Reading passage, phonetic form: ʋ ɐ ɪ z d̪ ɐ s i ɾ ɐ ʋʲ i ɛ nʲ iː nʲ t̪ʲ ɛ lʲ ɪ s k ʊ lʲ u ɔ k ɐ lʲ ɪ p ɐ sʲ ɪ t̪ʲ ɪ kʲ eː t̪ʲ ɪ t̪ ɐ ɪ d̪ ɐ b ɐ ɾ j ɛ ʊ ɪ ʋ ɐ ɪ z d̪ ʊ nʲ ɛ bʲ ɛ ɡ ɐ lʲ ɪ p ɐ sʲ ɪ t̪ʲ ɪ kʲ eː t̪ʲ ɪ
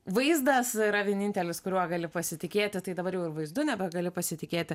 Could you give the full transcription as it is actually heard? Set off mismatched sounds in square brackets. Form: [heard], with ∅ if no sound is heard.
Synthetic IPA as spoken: ʋ ɐ ɪ z d̪ ɐ s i ɾ ɐ ʋʲ i ɛ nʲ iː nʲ t̪ʲ ɛ lʲ ɪ s k ʊ [ɾʲ] u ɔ [ɡ] ɐ lʲ ɪ p ɐ sʲ ɪ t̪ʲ ɪ kʲ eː t̪ʲ ɪ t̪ ɐ ɪ d̪ ɐ b ɐ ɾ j ɛ ʊ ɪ ʋ ɐ ɪ z d̪ ʊ nʲ ɛ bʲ ɛ ɡ ɐ lʲ ɪ p ɐ sʲ ɪ t̪ʲ ɪ kʲ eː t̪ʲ ɪ